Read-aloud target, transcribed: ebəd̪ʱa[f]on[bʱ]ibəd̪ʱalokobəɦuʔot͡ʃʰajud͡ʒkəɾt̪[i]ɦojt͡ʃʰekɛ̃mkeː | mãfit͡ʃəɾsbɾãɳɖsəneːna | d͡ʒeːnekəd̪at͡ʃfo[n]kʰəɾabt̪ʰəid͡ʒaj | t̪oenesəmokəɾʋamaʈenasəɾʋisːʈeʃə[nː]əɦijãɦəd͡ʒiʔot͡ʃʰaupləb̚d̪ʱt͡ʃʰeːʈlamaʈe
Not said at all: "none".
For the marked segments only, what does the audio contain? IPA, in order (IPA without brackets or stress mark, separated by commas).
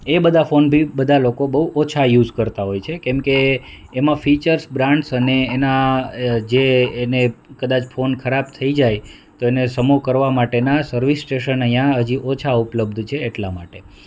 f, bʱ, a, n, n